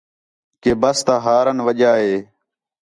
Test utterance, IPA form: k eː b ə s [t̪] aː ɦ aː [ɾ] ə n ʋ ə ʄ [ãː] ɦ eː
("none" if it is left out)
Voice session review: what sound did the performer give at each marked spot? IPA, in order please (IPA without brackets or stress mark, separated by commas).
t̪, ɾ, aː